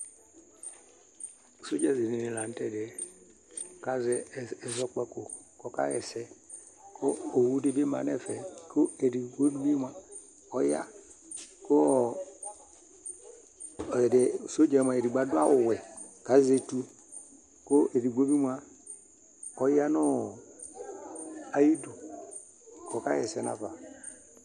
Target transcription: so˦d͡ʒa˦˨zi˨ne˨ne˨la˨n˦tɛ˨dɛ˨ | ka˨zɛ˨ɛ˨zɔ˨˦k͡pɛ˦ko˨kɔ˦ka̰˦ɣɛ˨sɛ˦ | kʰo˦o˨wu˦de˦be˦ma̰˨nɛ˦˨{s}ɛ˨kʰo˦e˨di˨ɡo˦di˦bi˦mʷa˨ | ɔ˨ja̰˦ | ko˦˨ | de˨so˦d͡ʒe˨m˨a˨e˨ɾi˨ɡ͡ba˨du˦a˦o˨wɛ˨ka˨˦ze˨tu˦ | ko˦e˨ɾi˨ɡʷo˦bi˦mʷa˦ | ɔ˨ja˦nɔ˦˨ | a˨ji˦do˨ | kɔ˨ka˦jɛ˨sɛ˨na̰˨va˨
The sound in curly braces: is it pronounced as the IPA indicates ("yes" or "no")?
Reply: no